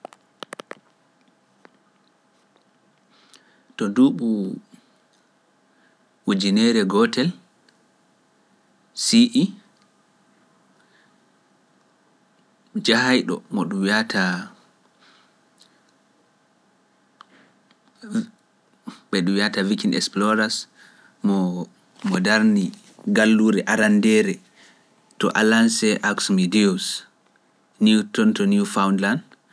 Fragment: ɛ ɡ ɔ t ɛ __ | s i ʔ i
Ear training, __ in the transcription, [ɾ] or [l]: l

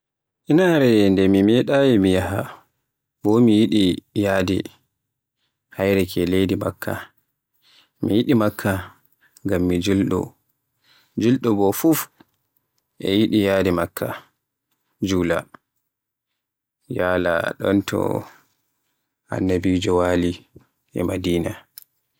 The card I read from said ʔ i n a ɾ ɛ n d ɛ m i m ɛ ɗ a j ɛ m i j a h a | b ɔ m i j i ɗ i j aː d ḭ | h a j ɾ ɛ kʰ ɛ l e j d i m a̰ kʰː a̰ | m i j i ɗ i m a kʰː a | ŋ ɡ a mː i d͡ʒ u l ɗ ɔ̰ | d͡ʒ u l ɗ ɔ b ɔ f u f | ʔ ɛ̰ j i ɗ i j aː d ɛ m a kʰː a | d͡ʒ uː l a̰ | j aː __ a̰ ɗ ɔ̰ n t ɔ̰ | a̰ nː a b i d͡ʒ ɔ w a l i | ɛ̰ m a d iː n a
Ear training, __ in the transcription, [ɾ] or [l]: l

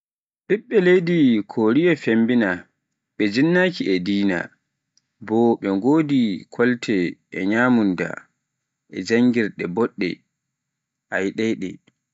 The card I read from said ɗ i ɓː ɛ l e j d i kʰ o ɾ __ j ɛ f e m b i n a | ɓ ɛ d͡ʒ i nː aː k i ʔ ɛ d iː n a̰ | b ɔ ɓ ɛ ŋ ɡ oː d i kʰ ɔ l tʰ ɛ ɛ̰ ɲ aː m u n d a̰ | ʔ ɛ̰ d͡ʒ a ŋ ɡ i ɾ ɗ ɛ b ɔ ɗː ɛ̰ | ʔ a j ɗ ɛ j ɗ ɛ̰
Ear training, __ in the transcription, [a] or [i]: i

